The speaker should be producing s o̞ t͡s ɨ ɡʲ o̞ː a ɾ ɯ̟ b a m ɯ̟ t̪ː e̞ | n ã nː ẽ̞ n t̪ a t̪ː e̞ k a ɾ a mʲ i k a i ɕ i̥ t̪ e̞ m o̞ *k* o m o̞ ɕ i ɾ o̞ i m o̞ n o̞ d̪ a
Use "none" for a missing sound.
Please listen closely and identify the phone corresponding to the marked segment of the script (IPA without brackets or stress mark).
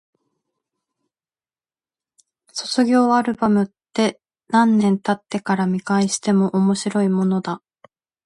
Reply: ʔ